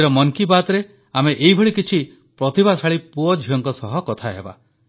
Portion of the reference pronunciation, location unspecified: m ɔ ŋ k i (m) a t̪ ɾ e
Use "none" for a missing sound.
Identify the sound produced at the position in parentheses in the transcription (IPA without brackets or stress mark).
b